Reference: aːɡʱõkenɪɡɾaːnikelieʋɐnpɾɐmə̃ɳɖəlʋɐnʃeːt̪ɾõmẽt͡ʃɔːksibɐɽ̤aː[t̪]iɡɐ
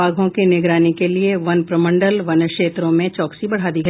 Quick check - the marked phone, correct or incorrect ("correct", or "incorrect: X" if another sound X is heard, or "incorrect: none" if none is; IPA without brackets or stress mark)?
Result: incorrect: d̪